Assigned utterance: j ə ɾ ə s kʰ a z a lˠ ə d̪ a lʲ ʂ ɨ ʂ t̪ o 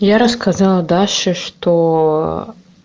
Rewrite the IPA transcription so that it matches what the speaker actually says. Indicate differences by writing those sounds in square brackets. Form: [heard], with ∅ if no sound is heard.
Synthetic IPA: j [a] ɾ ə s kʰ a z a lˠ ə d̪ a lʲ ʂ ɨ ʂ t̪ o